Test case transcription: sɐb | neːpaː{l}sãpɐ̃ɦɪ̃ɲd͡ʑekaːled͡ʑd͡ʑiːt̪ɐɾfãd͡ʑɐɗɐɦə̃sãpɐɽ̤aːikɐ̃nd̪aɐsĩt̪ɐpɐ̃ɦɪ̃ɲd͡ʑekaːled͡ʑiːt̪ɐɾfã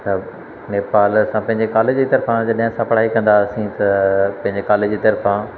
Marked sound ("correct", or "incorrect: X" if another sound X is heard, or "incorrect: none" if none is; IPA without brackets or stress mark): correct